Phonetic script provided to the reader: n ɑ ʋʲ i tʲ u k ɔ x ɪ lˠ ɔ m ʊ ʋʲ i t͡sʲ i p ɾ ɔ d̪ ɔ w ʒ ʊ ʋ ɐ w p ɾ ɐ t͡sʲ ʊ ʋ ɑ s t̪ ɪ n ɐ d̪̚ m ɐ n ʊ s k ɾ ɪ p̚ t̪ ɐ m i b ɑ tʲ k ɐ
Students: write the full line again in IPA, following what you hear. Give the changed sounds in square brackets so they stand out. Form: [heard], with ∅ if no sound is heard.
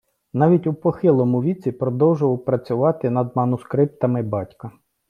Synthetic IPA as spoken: n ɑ ʋʲ i tʲ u [p] ɔ x ɪ lˠ ɔ m ʊ ʋʲ i t͡sʲ i p ɾ ɔ d̪ ɔ w ʒ ʊ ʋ ɐ w p ɾ ɐ t͡sʲ ʊ ʋ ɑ [∅] t̪ ɪ n ɐ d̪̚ m ɐ n ʊ s k ɾ ɪ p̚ t̪ ɐ m [ɪ] b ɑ tʲ k ɐ